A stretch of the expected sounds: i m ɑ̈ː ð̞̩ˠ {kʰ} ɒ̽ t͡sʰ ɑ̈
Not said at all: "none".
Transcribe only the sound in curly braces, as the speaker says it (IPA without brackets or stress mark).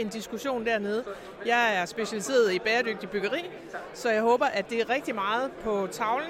pʰ